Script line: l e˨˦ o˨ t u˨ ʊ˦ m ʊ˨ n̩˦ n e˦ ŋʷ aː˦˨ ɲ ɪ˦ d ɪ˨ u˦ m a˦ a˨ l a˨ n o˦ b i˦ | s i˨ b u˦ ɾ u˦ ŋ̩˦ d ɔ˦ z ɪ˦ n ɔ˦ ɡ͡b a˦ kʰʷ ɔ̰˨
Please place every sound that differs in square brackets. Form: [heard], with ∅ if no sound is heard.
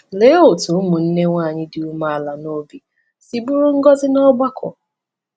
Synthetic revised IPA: l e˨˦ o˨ t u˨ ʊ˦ m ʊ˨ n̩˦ n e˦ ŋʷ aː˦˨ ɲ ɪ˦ d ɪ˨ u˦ m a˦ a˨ l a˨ n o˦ b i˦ | s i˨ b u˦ ɾ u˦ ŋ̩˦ [ɡ] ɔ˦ z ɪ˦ n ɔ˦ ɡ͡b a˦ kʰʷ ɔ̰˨